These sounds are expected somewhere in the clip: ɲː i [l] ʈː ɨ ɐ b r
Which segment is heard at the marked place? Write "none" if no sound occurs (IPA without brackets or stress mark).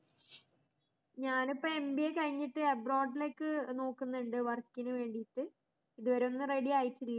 none